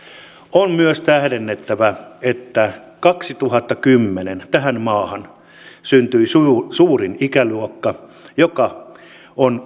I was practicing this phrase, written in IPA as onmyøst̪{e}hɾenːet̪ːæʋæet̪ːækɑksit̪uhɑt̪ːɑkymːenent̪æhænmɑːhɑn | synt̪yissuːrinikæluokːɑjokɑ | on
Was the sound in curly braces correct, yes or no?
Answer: no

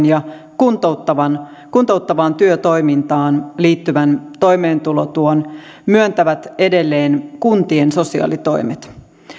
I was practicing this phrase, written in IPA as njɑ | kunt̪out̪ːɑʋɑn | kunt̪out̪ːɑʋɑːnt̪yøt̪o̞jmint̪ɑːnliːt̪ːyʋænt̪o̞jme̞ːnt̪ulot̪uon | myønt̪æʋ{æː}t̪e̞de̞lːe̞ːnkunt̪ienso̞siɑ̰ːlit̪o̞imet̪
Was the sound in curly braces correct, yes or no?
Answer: no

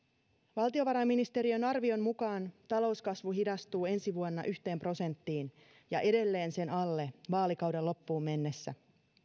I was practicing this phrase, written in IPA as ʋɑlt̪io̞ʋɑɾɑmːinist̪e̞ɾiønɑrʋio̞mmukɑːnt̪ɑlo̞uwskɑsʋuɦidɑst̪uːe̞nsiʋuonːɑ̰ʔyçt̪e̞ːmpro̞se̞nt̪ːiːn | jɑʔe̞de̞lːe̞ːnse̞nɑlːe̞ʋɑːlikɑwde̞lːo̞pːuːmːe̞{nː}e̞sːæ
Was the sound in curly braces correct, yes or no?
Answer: yes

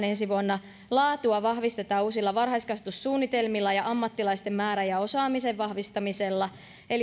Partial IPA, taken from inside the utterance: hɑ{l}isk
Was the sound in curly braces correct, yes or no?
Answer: no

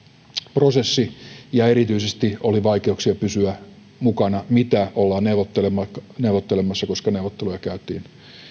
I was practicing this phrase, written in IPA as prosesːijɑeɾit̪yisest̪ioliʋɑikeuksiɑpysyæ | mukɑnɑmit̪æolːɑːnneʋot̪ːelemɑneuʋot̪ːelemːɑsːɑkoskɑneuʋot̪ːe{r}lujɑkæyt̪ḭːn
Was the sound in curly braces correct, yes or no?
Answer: no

